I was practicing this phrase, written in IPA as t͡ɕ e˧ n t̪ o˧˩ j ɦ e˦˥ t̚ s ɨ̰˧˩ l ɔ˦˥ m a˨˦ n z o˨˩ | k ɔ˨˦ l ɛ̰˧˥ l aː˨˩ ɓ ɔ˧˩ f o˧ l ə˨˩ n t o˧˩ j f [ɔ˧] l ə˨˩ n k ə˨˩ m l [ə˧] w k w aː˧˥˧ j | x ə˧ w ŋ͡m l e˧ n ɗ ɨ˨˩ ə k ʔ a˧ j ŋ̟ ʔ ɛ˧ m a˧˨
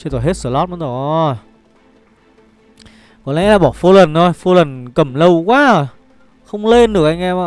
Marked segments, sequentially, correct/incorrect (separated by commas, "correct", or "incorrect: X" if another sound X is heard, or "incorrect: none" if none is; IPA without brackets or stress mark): incorrect: o˧, correct